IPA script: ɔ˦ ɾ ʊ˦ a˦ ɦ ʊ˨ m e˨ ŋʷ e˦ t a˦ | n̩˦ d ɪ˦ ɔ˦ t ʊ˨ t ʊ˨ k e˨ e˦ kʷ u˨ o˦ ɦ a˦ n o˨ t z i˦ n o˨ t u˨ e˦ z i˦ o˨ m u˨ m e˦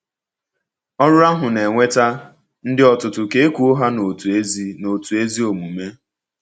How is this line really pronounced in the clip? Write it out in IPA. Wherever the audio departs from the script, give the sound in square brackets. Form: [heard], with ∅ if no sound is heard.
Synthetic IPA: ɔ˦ ɾ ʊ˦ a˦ ɦ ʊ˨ [n] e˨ ŋʷ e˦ t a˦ | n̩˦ d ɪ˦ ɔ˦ t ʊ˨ t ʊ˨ k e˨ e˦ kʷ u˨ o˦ ɦ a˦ n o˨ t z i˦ n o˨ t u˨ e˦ z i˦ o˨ m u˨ m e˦